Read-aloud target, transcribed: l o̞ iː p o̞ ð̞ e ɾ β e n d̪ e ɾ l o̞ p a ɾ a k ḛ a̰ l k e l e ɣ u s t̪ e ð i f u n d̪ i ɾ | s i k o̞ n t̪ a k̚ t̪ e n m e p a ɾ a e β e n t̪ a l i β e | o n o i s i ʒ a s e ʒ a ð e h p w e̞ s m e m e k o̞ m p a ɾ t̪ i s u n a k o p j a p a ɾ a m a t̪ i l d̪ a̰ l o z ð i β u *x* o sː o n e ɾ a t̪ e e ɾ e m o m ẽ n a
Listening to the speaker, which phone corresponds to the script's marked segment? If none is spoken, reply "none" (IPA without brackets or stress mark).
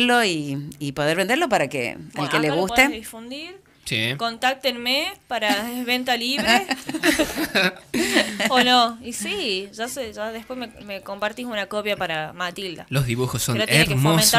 x